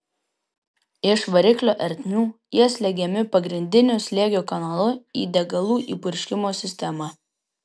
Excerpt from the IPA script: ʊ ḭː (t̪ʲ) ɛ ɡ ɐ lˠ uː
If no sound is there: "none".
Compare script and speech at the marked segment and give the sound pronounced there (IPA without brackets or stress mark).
d̪ʲ